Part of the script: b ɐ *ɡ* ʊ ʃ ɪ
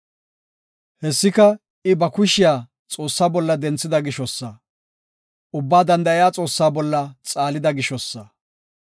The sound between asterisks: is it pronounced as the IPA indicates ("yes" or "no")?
no